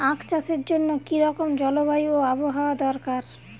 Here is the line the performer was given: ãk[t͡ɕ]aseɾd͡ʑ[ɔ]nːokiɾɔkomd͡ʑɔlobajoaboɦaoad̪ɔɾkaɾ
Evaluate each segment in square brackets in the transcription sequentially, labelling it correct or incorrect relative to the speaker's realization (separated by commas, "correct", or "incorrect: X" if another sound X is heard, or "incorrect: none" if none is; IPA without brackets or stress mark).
correct, incorrect: o